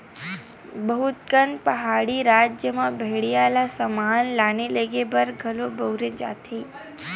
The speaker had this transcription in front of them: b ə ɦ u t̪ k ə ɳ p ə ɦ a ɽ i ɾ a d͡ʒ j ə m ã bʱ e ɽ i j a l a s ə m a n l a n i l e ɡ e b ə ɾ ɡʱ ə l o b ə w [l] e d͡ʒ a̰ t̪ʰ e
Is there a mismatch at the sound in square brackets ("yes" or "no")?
yes